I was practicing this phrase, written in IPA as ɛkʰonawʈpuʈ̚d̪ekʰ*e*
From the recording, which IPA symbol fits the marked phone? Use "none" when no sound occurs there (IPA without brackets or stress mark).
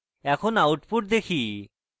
i